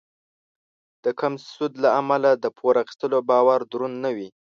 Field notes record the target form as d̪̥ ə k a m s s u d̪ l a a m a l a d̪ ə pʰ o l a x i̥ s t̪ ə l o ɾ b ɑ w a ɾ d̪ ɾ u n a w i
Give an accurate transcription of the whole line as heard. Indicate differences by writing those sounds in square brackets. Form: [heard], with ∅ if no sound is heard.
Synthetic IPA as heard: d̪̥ ə k a m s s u d̪ l a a m a l a d̪ ə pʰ o [ɾ] a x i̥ s t̪ ə l o [∅] b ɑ w a ɾ d̪ ɾ u [nː] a w i